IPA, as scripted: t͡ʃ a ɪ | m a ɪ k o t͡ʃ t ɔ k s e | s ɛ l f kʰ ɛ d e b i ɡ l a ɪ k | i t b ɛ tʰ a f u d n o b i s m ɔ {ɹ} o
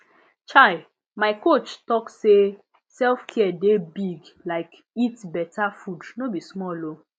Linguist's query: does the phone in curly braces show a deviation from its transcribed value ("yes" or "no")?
yes